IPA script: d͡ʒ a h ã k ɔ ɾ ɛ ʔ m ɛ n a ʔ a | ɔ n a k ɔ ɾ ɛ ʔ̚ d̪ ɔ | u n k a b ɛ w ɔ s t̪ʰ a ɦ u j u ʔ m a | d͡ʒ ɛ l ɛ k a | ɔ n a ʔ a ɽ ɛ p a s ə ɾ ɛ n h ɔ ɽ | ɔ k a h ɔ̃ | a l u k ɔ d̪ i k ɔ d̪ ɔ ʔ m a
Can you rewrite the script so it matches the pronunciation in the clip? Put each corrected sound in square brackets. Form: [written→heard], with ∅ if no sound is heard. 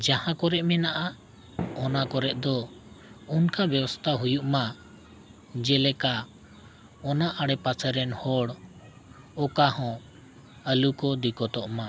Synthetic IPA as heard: d͡ʒ a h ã k ɔ ɾ ɛ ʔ m ɛ n a ʔ a | ɔ n a k ɔ ɾ ɛ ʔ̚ d̪ ɔ | u n k a b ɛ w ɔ s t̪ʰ a ɦ u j u ʔ m a | d͡ʒ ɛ l ɛ k a | ɔ n a ʔ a ɽ ɛ p a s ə ɾ ɛ n h ɔ ɽ | ɔ k a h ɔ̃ | [a→ə] l u k ɔ d̪ i k ɔ [d̪→t̪] ɔ ʔ m a